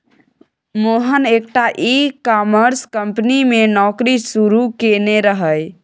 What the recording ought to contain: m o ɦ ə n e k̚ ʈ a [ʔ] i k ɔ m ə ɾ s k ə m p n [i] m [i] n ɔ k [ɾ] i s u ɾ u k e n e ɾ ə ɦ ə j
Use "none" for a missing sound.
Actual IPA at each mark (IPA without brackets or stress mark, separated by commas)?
ʔ, i, e, ɾ